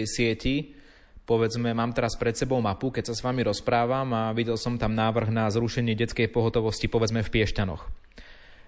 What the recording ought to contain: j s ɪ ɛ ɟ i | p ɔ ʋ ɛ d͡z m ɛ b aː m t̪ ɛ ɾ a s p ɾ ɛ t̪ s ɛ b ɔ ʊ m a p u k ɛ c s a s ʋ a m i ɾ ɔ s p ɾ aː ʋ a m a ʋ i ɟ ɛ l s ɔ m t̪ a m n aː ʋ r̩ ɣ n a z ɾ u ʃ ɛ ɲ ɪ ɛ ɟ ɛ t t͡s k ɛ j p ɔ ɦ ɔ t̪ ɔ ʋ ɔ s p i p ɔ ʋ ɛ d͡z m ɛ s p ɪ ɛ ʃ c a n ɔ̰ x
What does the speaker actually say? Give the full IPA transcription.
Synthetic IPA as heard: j s ɪ ɛ c i | p ɔ ʋ ɛ d͡z m ɛ m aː m t̪ ɛ ɾ a s p ɾ ɛ t̪ s ɛ b ɔ ʊ m a p u k ɛ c s a s ʋ a m i ɾ ɔ s p ɾ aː ʋ a m a ʋ i ɟ ɛ l s ɔ m t̪ a m n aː ʋ r̩ ɣ n a z ɾ u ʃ ɛ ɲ ɪ ɛ ɟ ɛ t t͡s k ɛ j p ɔ ɦ ɔ t̪ ɔ ʋ ɔ s c i p ɔ ʋ ɛ d͡z m ɛ f p ɪ ɛ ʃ c a n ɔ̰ x